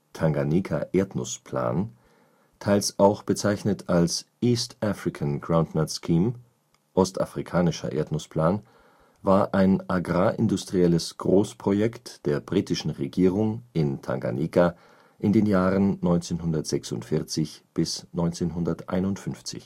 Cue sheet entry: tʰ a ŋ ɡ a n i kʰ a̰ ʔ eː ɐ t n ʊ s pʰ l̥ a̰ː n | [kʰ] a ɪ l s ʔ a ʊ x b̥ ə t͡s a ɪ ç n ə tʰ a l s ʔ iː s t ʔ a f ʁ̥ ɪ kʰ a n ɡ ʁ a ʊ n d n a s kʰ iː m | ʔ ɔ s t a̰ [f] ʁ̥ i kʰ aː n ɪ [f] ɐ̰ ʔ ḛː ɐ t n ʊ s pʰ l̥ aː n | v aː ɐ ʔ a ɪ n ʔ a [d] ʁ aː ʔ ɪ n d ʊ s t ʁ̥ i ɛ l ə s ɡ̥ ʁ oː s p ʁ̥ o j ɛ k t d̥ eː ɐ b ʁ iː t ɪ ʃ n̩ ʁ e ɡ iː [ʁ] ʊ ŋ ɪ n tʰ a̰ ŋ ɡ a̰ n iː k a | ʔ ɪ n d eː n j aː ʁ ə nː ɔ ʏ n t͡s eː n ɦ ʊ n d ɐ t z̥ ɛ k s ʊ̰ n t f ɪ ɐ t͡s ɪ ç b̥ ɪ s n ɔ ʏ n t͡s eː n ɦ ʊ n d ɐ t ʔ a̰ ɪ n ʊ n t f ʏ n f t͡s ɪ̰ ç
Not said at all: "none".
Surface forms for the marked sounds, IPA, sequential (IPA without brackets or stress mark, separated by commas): tʰ, f, ʃ, ɡ, ʁ